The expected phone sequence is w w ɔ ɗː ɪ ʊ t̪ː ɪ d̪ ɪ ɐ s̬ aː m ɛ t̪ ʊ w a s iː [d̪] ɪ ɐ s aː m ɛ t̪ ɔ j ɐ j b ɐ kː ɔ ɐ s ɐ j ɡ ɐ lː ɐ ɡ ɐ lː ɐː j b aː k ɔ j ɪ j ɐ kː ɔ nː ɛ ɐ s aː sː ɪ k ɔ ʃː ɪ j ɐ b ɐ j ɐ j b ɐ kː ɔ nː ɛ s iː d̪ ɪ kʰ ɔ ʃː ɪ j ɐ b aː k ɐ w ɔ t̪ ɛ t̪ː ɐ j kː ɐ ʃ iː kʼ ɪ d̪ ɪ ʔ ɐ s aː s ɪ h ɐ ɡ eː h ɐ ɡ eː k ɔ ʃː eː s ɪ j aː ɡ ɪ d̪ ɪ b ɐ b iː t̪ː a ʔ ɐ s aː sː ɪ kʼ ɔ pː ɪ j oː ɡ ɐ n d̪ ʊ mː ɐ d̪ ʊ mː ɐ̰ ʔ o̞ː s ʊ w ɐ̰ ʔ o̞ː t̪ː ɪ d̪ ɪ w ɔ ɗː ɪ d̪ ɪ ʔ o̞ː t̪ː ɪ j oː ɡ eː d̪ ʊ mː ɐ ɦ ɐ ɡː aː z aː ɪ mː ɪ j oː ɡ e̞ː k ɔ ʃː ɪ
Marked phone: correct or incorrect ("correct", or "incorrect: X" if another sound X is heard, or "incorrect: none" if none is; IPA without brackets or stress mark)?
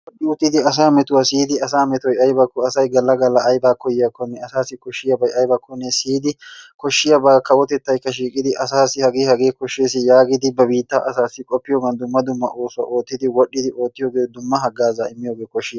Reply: correct